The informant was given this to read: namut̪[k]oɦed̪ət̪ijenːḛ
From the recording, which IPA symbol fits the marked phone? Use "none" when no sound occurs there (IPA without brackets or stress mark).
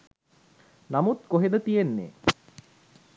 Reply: k